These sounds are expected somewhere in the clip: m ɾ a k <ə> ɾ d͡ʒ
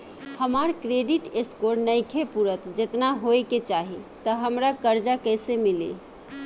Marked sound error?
no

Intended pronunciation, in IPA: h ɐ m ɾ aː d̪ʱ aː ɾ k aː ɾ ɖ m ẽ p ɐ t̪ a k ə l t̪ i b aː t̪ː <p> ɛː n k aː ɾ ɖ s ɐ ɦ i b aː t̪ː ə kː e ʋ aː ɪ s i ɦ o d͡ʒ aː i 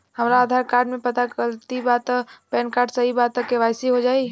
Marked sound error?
no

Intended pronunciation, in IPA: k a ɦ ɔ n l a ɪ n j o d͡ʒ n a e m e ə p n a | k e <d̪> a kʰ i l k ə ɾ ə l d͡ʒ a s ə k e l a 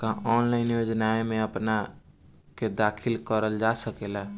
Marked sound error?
no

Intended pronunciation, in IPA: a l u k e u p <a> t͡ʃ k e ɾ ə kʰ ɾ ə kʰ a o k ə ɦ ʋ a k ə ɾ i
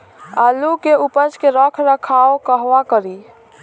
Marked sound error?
yes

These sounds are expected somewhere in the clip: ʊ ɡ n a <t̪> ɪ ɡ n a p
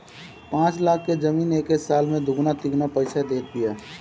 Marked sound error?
no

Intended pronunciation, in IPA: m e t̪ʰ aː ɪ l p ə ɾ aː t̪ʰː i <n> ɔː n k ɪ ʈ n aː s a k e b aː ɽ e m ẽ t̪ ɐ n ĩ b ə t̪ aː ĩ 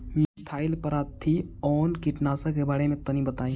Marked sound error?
yes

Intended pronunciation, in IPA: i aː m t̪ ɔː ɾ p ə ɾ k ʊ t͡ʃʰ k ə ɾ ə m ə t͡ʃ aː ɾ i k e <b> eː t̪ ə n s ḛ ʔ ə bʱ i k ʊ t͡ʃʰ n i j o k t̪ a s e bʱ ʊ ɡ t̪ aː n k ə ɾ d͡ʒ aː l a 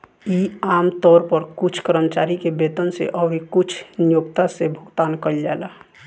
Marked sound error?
no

